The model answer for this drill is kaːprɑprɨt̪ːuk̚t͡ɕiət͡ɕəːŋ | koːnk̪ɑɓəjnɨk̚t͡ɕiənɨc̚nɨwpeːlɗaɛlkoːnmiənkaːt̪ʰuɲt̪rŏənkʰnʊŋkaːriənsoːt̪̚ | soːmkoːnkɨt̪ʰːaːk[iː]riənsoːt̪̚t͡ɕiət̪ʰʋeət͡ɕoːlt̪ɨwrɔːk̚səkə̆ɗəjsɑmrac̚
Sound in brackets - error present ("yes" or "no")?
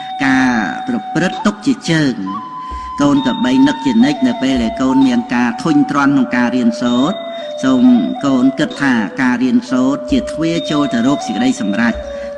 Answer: yes